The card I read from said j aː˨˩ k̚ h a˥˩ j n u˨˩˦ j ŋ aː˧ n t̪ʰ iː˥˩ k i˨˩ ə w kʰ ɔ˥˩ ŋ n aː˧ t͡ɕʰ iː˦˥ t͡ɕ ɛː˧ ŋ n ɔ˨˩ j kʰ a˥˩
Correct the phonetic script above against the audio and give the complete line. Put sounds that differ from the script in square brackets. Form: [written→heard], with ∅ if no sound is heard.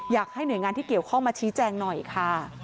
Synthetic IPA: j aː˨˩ k̚ h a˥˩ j n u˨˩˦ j ŋ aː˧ n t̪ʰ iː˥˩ k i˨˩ ə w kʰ ɔ˥˩ ŋ [n→m] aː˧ t͡ɕʰ iː˦˥ t͡ɕ ɛː˧ ŋ n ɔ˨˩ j kʰ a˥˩